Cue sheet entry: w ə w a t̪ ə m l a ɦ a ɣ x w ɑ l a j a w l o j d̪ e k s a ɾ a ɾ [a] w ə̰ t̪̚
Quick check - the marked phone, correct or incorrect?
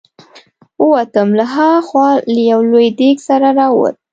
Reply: incorrect